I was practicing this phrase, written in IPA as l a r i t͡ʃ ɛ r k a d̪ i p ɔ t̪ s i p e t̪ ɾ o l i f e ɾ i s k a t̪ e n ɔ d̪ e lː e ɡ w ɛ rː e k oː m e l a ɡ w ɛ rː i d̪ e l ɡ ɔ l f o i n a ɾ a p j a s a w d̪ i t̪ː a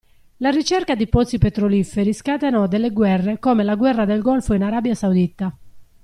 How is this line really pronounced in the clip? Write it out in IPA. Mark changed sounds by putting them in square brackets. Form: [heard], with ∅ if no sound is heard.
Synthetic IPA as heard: l a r i t͡ʃ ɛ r k a d̪ i p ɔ t̪ s i p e t̪ ɾ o l i f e ɾ i s k a t̪ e n ɔ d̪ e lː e ɡ w ɛ rː e k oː m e l a ɡ w ɛ rː [a] d̪ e l ɡ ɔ l f o i n a ɾ a [b] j a s a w d̪ i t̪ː a